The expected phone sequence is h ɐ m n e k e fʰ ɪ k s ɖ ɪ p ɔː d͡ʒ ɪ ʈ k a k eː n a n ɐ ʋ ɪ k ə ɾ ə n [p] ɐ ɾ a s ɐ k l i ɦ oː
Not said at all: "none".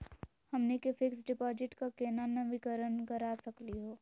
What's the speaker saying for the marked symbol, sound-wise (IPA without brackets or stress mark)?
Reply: k